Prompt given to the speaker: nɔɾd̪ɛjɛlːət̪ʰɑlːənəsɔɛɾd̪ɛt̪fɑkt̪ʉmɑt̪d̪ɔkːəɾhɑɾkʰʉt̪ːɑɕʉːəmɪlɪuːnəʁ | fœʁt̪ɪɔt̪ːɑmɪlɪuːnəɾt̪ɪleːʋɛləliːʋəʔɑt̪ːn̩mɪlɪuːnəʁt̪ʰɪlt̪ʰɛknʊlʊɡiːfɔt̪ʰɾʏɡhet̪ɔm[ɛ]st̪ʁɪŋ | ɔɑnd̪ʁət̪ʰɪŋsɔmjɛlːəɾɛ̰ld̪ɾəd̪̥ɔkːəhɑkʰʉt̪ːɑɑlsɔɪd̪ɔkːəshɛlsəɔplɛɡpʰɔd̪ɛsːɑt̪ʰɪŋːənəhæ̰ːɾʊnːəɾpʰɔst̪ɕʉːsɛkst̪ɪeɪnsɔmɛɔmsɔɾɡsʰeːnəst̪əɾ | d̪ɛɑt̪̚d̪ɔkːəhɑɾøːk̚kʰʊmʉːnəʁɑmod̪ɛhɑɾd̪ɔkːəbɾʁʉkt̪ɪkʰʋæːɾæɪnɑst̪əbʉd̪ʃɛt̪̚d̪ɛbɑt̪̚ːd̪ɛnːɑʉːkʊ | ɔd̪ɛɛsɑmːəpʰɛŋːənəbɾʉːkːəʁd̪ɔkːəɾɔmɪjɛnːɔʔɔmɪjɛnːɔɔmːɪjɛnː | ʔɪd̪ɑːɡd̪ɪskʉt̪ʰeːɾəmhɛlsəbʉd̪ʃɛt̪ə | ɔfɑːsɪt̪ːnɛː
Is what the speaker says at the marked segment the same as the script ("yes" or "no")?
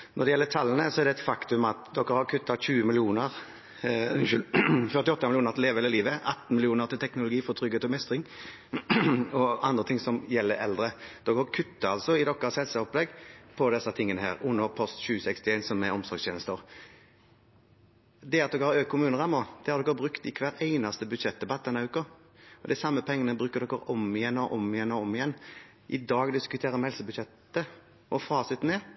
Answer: yes